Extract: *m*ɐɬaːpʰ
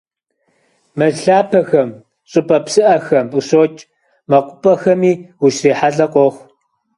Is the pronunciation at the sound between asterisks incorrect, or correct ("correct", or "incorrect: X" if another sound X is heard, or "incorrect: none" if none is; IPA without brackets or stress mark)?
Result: correct